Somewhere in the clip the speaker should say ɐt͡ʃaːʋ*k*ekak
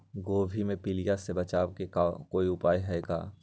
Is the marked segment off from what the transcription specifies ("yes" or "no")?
no